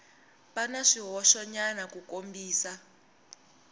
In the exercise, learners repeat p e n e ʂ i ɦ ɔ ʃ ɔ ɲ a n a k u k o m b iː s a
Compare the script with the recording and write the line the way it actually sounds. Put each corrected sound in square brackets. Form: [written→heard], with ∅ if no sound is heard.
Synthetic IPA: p [e→a] n [e→a] ʂ i ɦ ɔ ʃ ɔ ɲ a n a k u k o m b iː s a

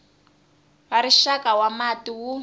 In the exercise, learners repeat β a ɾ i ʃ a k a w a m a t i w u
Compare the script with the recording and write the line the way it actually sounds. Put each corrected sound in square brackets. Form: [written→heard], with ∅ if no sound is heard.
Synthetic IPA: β a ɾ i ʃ a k a w a m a t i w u

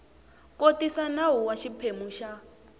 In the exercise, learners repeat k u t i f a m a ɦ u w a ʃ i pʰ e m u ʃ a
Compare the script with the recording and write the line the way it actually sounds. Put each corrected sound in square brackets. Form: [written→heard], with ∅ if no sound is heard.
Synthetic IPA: k [u→o] t i [f→s] a [m→n] a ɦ u w a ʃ i pʰ e m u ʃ a

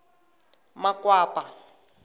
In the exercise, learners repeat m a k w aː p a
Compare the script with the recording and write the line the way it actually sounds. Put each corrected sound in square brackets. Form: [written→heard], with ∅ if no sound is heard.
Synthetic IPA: m a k w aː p a

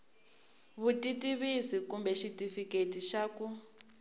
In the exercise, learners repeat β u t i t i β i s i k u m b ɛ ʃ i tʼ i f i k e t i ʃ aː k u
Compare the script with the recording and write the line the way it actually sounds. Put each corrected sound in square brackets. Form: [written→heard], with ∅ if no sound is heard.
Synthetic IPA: β u t i t i β i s i k u m b ɛ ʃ i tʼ i f i k e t i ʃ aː k u

